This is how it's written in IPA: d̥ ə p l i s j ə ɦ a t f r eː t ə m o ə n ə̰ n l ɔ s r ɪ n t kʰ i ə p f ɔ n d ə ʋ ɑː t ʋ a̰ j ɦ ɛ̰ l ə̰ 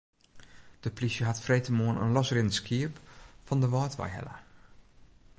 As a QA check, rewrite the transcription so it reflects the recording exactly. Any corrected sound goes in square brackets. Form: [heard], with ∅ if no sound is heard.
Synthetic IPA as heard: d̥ ə p l i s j ə ɦ a t f r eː t ə m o ə n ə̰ n l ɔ s r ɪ n [s] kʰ i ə p f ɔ n d ə ʋ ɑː t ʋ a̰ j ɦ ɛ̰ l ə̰